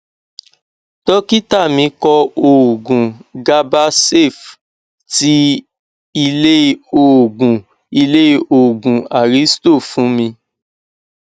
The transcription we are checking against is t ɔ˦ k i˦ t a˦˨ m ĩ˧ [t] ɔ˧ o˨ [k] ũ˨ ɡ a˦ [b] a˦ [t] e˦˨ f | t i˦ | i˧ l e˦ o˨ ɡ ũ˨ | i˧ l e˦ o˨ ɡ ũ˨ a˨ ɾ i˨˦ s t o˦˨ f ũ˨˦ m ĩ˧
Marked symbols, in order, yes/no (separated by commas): no, no, yes, no